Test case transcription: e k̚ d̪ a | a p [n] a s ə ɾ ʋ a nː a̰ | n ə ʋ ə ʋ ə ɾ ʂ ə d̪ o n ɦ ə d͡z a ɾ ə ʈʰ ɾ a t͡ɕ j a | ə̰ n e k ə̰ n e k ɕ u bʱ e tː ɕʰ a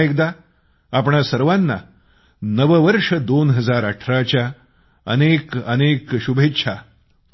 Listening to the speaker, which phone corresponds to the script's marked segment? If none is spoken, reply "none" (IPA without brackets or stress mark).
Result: ɳ